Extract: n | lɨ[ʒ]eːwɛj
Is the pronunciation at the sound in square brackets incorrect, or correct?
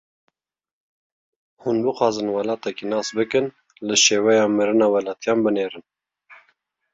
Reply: incorrect: ʃ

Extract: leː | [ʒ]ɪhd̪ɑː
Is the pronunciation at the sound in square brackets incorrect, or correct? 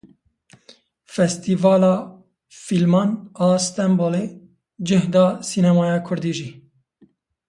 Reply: incorrect: d͡ʒ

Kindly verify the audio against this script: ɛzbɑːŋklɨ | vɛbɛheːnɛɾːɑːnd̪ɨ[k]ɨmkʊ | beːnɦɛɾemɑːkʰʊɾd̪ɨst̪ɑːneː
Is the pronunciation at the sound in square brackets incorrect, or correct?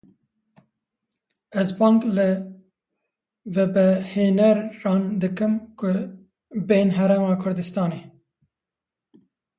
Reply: correct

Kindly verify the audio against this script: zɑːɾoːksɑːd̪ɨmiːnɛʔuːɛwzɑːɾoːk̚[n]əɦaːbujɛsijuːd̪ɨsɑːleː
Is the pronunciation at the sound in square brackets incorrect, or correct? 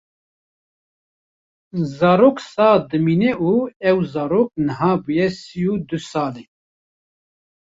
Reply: correct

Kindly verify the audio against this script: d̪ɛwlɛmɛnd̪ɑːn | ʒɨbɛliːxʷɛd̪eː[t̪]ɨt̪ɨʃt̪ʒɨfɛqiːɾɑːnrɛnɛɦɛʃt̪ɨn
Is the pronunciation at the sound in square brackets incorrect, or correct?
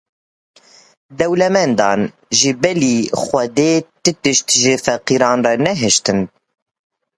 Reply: correct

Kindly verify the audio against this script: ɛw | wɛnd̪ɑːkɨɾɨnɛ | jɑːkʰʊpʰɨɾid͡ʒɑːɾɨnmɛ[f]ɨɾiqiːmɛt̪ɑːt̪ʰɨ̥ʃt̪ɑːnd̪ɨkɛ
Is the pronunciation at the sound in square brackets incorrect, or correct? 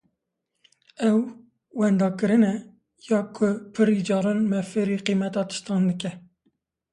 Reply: correct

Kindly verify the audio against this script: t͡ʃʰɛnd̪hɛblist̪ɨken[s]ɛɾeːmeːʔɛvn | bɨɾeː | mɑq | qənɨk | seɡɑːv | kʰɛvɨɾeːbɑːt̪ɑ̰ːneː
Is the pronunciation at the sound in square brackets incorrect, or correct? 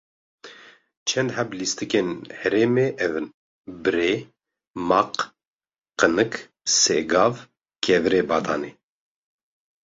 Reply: incorrect: h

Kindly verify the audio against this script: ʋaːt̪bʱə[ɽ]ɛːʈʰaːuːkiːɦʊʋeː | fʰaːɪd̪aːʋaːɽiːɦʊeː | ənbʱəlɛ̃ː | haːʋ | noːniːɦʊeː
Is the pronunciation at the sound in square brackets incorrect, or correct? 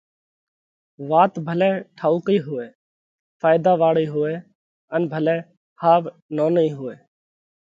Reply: incorrect: l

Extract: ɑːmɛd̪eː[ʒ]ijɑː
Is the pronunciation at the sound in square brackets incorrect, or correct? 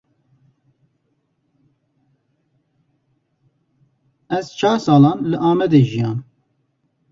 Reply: correct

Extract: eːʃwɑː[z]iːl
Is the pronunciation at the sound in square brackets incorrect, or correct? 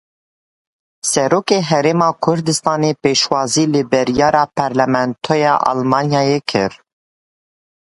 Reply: correct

